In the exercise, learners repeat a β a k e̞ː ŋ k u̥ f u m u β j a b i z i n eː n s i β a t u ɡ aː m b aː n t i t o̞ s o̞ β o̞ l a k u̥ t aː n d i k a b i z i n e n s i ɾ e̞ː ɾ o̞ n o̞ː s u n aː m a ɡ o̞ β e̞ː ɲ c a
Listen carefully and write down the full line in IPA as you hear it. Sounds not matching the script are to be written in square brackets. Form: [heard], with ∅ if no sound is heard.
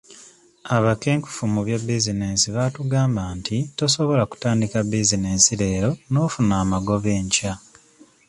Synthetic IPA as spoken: a β a k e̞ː ŋ k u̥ f u m u β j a b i z i n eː n s i β a t u ɡ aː m b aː n t i t o̞ s o̞ β o̞ l a k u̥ t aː n d i k a b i z i n e n s i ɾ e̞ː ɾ o̞ n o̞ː [f] u n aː m a ɡ o̞ β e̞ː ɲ c a